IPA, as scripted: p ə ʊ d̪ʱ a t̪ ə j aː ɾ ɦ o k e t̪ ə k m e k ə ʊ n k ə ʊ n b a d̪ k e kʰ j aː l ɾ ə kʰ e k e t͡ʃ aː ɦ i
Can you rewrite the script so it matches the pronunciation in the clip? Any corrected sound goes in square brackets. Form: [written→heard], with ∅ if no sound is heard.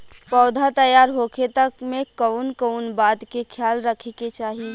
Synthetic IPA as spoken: p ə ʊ d̪ʱ a t̪ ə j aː ɾ ɦ o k e t̪ ə k m e k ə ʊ n k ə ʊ n b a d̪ k e kʰ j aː l ɾ ə kʰ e k e t͡ʃ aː ɦ i